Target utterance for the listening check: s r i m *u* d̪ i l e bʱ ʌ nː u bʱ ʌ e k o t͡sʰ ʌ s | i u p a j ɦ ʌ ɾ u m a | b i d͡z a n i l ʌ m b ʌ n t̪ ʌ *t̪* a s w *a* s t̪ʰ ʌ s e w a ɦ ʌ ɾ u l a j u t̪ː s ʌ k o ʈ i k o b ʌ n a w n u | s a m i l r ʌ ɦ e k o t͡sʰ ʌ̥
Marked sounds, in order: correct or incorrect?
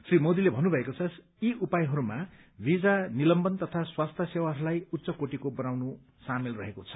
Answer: incorrect, incorrect, correct

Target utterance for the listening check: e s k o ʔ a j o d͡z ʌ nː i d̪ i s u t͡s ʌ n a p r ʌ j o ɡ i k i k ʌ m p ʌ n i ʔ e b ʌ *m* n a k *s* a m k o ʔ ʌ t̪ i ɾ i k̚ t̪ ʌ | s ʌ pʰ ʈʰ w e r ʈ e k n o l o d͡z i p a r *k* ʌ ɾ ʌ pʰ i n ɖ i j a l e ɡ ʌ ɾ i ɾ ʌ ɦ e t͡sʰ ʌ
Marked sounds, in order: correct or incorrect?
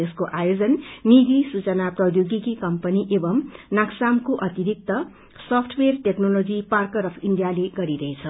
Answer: correct, correct, correct

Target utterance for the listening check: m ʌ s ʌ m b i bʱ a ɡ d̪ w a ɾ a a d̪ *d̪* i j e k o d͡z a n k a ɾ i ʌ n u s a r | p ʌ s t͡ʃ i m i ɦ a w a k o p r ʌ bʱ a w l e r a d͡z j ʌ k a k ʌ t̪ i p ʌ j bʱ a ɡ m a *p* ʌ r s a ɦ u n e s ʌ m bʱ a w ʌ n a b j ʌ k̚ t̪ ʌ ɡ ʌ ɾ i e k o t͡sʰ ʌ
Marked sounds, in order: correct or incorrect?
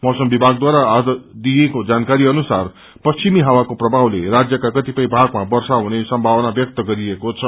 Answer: correct, incorrect

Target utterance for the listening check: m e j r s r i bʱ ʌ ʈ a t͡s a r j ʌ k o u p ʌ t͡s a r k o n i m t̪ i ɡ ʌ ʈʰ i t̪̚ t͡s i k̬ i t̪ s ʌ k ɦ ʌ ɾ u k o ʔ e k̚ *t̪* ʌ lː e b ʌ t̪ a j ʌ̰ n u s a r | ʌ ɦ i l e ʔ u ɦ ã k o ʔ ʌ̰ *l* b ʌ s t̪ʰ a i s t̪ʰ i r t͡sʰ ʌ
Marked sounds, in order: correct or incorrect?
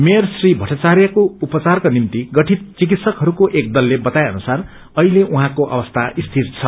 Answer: incorrect, incorrect

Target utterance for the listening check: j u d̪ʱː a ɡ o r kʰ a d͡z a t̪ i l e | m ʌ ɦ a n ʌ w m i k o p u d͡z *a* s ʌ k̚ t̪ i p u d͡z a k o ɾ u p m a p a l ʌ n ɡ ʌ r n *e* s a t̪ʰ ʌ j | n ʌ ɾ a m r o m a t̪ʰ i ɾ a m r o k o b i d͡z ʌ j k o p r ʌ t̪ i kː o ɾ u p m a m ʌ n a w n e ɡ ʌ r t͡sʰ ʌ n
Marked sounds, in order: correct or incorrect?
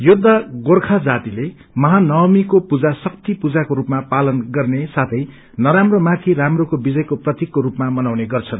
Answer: correct, correct

